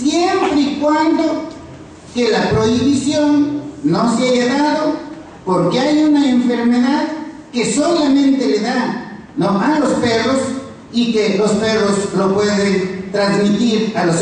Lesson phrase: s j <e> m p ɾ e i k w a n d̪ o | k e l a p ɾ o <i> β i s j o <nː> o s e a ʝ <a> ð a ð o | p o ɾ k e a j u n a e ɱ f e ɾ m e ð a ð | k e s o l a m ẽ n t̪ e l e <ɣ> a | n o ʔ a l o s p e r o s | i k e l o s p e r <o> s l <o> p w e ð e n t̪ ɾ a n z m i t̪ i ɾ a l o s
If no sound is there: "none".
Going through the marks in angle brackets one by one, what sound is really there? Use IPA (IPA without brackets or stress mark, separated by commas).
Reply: e, i, nː, a, ð, o, o